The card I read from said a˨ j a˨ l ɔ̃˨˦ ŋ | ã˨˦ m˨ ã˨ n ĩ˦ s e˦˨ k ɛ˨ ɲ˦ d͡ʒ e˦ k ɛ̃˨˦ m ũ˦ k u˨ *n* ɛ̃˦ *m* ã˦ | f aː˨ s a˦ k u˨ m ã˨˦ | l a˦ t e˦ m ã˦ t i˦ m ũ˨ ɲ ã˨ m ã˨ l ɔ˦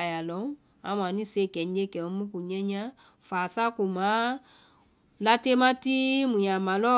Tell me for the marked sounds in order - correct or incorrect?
incorrect: ɲ, incorrect: ɲ

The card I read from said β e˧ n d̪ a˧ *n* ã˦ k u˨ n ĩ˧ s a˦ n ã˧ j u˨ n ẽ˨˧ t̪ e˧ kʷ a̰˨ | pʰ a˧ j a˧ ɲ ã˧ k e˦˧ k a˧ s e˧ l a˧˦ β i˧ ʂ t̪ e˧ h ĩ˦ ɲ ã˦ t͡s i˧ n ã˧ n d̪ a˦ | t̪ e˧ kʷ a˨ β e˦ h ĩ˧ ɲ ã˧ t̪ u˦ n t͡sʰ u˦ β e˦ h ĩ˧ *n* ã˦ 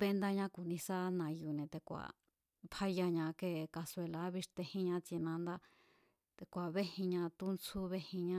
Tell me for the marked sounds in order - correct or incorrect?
incorrect: ɲ, incorrect: ɲ

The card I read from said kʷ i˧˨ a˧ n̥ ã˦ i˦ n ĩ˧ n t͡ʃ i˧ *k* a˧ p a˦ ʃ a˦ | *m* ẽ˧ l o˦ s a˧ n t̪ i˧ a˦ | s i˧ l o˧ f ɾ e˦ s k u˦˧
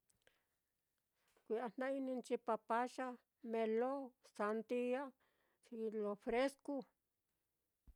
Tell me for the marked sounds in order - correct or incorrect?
incorrect: p, correct

